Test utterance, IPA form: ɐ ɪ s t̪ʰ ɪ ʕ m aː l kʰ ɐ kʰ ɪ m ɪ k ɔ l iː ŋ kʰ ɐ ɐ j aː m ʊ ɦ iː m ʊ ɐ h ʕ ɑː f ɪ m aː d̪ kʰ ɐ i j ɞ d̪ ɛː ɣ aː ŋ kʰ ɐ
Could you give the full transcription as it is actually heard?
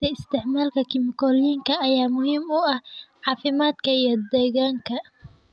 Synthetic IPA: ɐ ɪ s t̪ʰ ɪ ʕ m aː l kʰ ɐ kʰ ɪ m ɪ k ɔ l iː ŋ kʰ ɐ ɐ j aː m ʊ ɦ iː m ʊ ɐ h ʕ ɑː f ɪ m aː d̪ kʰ ɐ i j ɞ d̪ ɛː ɣ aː ŋ kʰ ɐ